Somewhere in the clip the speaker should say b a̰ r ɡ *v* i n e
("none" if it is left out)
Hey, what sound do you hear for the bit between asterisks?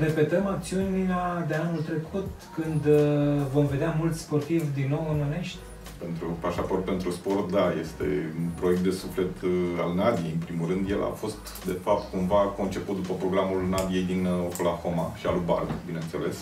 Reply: b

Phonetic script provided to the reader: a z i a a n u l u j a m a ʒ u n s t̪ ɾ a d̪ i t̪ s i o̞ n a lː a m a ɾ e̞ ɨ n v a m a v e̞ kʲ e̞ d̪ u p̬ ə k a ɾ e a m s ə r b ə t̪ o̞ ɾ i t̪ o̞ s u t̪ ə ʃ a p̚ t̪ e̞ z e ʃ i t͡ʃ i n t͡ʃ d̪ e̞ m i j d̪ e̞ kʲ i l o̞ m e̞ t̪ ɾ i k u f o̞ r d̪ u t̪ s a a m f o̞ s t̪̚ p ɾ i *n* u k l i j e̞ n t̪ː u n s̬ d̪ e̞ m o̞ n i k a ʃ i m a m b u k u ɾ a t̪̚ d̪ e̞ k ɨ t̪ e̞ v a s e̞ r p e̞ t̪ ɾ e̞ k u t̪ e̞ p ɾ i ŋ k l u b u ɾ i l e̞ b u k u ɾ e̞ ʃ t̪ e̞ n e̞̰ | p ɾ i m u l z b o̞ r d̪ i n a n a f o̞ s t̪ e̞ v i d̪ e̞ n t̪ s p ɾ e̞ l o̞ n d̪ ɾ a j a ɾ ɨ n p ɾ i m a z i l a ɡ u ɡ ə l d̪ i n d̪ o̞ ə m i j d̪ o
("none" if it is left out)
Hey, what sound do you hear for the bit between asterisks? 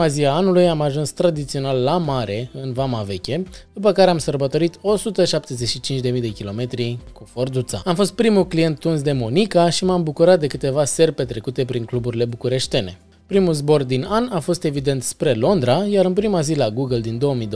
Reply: m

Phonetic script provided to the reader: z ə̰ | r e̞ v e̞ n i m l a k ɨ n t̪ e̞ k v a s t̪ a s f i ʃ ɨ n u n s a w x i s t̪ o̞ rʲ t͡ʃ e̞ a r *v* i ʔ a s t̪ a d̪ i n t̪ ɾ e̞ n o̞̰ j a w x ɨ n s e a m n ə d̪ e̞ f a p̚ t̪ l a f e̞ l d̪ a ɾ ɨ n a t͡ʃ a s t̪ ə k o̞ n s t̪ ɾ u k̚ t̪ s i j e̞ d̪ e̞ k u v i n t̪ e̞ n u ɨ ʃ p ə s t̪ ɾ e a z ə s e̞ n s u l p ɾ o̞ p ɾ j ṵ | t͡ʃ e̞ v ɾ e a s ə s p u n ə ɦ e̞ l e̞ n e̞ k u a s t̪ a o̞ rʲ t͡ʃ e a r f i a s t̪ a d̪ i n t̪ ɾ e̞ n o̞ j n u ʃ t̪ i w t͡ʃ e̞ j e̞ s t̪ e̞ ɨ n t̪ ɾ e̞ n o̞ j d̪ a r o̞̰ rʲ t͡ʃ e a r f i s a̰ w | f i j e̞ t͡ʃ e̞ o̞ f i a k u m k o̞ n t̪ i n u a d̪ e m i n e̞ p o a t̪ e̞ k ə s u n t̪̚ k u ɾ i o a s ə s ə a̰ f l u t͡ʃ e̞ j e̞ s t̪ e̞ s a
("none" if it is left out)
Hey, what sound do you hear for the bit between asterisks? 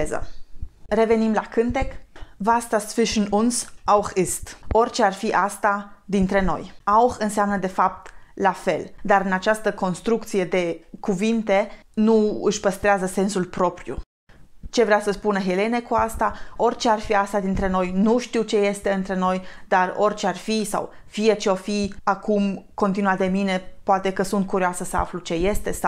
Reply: f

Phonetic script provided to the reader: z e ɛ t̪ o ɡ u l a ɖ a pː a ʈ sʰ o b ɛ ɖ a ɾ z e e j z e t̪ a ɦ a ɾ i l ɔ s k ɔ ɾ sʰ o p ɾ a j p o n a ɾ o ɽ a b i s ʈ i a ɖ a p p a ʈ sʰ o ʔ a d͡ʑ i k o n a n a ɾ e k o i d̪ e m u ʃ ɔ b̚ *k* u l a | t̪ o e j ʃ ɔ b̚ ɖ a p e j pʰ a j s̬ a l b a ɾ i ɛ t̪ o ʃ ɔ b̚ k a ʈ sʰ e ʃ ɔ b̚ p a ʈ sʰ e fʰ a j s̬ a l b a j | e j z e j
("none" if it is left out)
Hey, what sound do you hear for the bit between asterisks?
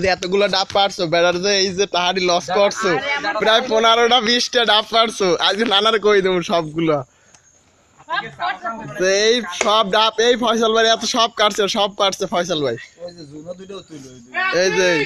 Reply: ɡ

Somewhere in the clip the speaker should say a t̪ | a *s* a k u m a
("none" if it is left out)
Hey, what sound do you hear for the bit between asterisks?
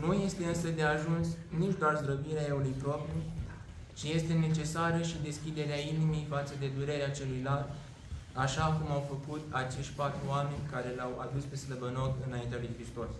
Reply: ʃ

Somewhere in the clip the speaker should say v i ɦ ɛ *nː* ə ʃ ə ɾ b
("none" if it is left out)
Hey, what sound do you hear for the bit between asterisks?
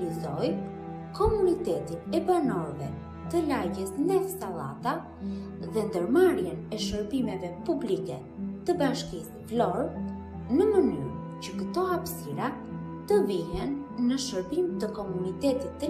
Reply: nː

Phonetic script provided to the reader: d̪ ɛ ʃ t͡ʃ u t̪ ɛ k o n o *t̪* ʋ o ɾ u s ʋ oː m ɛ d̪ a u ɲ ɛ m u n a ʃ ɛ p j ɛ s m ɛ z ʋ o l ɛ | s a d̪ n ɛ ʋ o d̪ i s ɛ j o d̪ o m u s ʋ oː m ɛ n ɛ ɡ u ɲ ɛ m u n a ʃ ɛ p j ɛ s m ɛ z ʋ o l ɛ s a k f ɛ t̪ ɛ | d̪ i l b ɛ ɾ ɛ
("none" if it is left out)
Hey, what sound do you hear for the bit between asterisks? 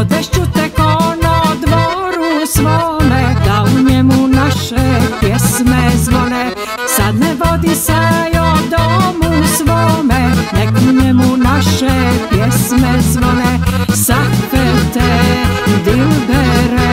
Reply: d̪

